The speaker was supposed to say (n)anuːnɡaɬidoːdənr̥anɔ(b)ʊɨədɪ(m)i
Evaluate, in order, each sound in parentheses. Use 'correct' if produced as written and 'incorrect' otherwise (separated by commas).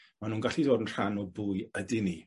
incorrect, correct, incorrect